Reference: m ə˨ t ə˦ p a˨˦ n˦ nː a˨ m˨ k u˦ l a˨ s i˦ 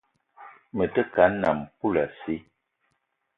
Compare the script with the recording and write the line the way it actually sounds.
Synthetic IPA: m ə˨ t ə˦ k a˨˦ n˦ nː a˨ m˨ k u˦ l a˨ s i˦

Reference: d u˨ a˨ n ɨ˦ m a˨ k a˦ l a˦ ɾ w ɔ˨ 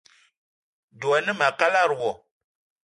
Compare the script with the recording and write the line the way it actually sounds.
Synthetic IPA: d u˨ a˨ n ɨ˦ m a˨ k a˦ l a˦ ɾ w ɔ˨

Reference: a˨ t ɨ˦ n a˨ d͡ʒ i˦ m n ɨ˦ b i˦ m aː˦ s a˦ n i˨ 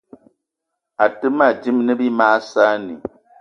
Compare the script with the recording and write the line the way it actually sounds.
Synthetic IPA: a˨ t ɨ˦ m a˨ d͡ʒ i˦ m n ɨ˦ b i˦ m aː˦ s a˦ n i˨

